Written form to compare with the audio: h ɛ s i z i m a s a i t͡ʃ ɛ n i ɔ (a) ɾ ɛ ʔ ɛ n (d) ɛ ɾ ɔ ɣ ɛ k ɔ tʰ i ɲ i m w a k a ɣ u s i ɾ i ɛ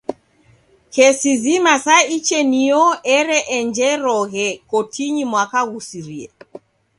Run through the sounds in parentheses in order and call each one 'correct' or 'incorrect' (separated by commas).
incorrect, incorrect